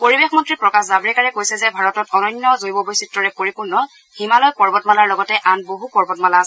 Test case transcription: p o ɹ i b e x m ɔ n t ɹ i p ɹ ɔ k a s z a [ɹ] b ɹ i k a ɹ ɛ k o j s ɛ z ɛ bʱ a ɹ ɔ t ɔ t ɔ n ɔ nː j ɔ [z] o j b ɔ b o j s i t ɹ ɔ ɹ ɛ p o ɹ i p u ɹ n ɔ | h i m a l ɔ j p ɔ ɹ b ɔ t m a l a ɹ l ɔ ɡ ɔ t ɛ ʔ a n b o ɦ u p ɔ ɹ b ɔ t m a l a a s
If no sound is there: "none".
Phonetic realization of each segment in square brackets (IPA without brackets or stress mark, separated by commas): none, z